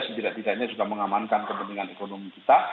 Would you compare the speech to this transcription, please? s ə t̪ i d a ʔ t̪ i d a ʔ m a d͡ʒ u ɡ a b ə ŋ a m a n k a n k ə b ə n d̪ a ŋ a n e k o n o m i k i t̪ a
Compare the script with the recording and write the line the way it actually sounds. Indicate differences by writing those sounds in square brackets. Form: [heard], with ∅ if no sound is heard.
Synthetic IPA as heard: s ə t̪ i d a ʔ t̪ i d a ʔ [ɲ] a d͡ʒ u ɡ a [m] ə ŋ a m a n k a n k ə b ə n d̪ [i] ŋ a n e k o n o m i k i t̪ a